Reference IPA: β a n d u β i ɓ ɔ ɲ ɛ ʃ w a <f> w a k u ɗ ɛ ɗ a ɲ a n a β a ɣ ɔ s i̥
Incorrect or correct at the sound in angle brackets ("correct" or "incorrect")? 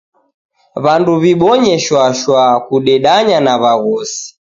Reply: incorrect